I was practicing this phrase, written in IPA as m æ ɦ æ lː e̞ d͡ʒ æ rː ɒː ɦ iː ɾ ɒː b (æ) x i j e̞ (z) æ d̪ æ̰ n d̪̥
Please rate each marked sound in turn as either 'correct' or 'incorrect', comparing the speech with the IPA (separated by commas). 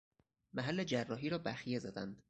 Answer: correct, correct